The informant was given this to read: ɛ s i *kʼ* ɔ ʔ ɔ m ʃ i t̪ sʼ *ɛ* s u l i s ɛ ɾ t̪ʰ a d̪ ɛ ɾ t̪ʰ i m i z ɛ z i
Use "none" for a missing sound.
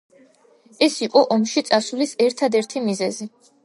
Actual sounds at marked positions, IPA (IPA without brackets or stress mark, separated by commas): qʼ, a